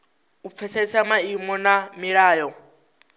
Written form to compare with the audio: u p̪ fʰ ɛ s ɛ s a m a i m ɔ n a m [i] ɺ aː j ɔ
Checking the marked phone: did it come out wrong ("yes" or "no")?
no